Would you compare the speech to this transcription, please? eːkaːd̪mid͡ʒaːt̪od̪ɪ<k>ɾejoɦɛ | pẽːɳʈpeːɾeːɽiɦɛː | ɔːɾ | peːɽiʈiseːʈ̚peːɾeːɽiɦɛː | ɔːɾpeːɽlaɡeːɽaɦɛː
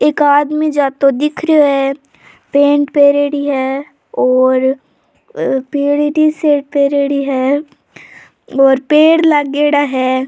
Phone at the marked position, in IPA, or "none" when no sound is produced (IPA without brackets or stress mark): kʰ